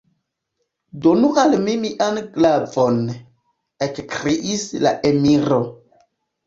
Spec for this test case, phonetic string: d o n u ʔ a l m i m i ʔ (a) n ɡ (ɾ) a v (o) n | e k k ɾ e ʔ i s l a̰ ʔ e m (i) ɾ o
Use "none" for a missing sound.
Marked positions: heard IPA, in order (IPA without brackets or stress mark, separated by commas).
a, l, o, i